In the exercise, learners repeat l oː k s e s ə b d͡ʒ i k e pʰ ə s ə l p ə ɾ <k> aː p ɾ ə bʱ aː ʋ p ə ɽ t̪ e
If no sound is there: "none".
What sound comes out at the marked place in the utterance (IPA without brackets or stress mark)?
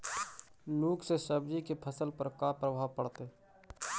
k